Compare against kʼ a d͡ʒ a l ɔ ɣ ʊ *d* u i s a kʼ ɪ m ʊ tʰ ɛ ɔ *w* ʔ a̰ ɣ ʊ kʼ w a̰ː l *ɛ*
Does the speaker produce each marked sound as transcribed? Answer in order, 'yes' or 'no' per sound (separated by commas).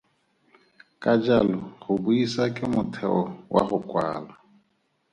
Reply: no, yes, no